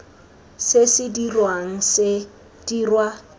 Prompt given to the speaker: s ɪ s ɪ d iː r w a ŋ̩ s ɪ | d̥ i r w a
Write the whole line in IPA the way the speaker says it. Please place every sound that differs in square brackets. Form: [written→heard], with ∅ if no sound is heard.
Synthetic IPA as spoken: s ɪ s ɪ d [iː→i] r w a ŋ̩ s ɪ | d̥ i r w a